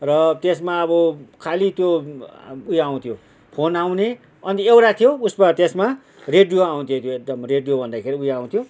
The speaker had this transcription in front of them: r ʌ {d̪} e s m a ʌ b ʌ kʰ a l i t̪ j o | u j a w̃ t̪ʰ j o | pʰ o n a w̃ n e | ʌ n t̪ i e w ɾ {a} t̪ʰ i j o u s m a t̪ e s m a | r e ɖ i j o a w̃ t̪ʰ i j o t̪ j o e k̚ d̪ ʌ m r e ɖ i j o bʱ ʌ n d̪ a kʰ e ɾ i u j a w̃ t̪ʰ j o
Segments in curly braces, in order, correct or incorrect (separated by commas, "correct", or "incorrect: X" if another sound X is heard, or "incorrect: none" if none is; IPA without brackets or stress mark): incorrect: t̪, correct